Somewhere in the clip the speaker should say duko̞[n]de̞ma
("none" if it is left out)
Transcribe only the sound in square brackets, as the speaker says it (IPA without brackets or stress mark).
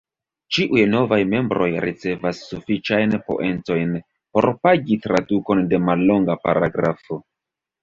n